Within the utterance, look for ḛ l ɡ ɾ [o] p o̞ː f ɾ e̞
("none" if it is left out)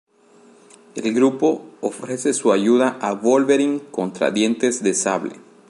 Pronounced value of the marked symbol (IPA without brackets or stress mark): u